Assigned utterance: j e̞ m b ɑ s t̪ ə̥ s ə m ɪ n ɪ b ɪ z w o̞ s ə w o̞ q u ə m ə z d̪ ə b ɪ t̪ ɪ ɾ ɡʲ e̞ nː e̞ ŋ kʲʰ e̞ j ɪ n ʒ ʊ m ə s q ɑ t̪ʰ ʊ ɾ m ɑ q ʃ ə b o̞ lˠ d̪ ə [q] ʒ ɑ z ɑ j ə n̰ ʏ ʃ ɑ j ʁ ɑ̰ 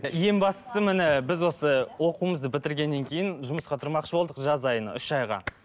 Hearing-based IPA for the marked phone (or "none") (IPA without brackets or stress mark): q